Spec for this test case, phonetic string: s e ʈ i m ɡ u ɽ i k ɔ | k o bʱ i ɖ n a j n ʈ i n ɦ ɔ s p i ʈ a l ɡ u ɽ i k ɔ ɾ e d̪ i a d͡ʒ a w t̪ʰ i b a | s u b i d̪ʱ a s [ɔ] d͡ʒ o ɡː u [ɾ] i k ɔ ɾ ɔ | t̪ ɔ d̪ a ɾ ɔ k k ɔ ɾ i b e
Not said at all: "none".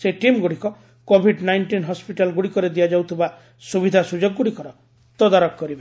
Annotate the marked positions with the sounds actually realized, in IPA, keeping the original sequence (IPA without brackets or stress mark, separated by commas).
u, ɽ